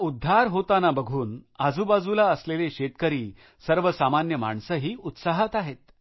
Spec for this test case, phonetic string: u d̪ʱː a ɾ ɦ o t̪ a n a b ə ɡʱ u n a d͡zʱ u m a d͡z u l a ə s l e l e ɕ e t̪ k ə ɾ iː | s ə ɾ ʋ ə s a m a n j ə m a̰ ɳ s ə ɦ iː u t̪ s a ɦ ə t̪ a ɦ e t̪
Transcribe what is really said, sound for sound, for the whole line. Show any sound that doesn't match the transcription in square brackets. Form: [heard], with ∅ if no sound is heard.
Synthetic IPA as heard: u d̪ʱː a ɾ ɦ o t̪ a n a b ə ɡʱ [uː] n a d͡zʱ u [b] a d͡z u l a ə s l e l e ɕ e t̪ k ə ɾ iː | s ə ɾ ʋ ə s a m a n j ə m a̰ ɳ s ə ɦ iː u t̪ s a ɦ ə t̪ a ɦ e t̪

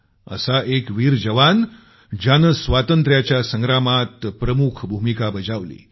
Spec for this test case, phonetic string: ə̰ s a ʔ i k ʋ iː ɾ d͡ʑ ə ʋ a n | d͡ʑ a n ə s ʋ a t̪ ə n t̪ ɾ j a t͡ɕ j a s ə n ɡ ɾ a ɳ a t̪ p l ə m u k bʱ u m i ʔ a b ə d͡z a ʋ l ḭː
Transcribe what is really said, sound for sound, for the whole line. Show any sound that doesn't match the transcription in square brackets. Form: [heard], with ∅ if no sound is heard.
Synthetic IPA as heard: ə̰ s a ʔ [e] k ʋ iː ɾ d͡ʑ ə ʋ a n | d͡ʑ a n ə s ʋ a t̪ ə n t̪ ɾ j a t͡ɕ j a s ə [ŋ] ɡ ɾ a [m] a t̪ p [ɾ] ə m u [kʰ] bʱ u m i [k] a b ə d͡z a ʋ l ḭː

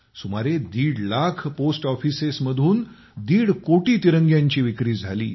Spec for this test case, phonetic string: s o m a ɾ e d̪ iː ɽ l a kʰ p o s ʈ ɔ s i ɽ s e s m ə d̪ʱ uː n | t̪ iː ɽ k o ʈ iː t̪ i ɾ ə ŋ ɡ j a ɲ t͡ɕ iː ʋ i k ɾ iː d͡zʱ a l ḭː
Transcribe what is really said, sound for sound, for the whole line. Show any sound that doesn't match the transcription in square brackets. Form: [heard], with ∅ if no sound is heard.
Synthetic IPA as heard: s [u] m a ɾ e d̪ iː ɽ l a kʰ p o s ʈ ɔ [f] i [∅] s e s m ə d̪ʱ uː n | [d̪] iː ɽ k o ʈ iː t̪ i ɾ ə ŋ ɡ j a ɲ t͡ɕ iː ʋ i k ɾ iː d͡zʱ a l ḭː

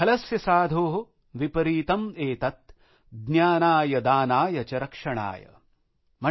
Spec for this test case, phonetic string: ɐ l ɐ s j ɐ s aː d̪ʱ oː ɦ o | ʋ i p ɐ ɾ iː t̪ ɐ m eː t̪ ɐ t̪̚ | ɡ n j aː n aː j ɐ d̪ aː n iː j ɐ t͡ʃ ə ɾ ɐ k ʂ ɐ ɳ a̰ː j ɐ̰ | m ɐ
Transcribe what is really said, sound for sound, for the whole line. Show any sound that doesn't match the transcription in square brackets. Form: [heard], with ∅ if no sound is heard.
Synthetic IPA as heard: ɐ l ɐ s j ɐ s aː d̪ʱ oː ɦ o | ʋ i p ɐ ɾ iː t̪ ɐ m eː t̪ ɐ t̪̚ | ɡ n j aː n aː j ɐ d̪ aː n [aː] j ɐ t͡ʃ [ɐ] ɾ ɐ k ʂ ɐ ɳ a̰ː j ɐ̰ | m ɐ

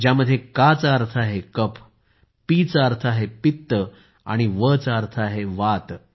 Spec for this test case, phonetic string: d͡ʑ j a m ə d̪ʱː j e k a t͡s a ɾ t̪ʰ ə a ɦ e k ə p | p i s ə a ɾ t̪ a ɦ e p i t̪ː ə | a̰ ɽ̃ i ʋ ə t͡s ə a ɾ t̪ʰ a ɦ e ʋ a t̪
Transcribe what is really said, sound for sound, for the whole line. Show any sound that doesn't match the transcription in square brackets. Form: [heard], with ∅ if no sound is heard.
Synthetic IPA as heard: d͡ʑ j a m ə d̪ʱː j e k a t͡s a ɾ t̪ʰ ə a ɦ e k ə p | p i [t͡s] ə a ɾ [t̪ʰ] a ɦ e p i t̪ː ə | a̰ ɽ̃ i ʋ ə t͡s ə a ɾ t̪ʰ a ɦ e ʋ a t̪

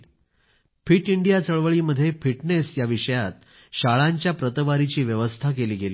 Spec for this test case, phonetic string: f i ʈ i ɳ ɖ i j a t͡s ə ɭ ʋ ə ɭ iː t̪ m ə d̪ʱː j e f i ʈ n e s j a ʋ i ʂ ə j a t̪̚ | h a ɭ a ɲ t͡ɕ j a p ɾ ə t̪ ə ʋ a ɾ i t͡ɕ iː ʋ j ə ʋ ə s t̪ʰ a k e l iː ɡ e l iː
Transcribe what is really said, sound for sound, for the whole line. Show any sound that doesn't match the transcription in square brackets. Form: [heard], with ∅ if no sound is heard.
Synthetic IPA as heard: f i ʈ i ɳ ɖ i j a t͡s ə ɭ ʋ ə ɭ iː [∅] m ə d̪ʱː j e f i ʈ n e s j a ʋ i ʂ ə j a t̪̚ | [ɕ] a ɭ a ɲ t͡ɕ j a p ɾ ə t̪ ə ʋ a ɾ i t͡ɕ iː ʋ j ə ʋ ə s t̪ʰ a k e l iː ɡ e l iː

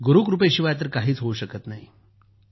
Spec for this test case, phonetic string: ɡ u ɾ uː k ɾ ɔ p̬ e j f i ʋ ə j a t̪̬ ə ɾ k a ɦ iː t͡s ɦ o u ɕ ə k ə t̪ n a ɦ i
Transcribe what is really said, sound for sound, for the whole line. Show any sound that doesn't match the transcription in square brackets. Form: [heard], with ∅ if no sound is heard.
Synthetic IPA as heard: ɡ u ɾ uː k ɾ [u] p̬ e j [ɕ] i ʋ [a] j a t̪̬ ə ɾ k a ɦ iː t͡s ɦ o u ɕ ə k ə t̪ n a ɦ i

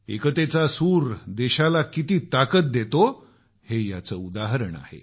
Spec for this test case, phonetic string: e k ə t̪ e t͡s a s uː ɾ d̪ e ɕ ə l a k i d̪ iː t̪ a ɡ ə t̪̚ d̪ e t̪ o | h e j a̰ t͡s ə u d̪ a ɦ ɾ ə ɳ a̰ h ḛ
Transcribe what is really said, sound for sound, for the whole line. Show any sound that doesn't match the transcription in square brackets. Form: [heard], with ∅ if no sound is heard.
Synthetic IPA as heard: e k ə t̪ e t͡s a s uː ɾ d̪ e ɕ [a] l a k i [t̪] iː t̪ a [k] ə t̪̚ d̪ e t̪ o | h e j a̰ t͡s ə u d̪ a ɦ ɾ ə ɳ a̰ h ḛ

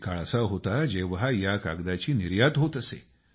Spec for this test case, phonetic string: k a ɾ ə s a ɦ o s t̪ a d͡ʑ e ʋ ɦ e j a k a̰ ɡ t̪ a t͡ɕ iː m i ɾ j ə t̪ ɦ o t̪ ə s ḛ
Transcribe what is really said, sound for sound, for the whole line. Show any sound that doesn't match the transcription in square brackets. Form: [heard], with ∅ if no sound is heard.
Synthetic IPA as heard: k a [ɭ] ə s a ɦ o [∅] t̪ a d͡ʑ e ʋ ɦ [a] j a k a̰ ɡ [d̪] a t͡ɕ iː [n] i ɾ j [a] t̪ ɦ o t̪ ə s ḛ

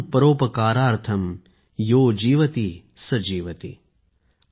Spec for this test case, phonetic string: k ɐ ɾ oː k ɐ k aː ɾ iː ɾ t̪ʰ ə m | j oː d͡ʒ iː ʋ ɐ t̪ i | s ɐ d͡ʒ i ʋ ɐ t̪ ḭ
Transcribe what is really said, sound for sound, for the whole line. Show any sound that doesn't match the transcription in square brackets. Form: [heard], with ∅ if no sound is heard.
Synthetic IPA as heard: [p] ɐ ɾ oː [p] ɐ k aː ɾ [aː] ɾ t̪ʰ [ɐ] m | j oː d͡ʒ iː ʋ ɐ t̪ i | s ɐ d͡ʒ [iː] ʋ ɐ t̪ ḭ

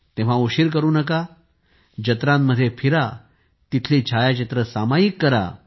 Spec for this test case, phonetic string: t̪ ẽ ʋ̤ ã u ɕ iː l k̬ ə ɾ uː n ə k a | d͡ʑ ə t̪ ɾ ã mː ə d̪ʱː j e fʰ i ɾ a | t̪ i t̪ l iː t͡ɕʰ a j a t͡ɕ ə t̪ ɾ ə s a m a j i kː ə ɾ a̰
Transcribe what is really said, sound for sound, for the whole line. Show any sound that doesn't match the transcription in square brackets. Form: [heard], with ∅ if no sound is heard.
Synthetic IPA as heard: t̪ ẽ ʋ̤ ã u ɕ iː [ɾ] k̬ ə ɾ uː n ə k a | d͡ʑ ə t̪ ɾ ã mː ə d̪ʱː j e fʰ i ɾ a | t̪ i [t̪ʰ] l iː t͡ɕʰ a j a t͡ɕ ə t̪ ɾ ə s a m a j i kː ə ɾ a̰

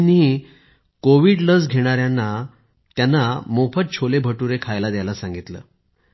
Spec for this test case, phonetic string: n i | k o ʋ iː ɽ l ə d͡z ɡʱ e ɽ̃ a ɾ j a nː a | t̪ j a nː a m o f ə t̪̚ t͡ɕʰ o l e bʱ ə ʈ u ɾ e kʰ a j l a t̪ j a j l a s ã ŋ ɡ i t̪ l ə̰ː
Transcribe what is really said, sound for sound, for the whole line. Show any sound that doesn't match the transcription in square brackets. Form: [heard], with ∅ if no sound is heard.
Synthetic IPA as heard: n i | k o ʋ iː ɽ l ə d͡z ɡʱ e ɽ̃ a ɾ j a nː a | t̪ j a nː a m o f ə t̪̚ t͡ɕʰ o l e bʱ ə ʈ u ɾ e kʰ a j l a [d̪] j a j l a s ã ŋ ɡ i t̪ l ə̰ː

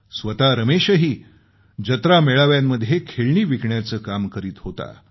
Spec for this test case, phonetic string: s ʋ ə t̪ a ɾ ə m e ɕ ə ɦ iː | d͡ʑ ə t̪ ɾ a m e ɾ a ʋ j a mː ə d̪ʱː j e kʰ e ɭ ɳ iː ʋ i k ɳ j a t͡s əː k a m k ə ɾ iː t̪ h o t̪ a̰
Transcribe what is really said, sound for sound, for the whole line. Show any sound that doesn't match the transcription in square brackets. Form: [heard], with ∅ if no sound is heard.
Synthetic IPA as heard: s ʋ ə t̪ a ɾ ə m e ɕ ə ɦ iː | d͡ʑ ə t̪ ɾ a m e [ɭ] a ʋ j a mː ə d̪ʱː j e kʰ e ɭ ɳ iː ʋ i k ɳ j a t͡s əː k a m k ə ɾ iː t̪ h o t̪ a̰

